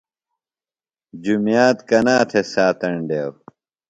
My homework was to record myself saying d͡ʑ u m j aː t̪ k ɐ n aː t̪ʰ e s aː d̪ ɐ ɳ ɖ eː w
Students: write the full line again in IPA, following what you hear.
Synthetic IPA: d͡ʑ u m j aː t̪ k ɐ n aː t̪ʰ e s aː t̪ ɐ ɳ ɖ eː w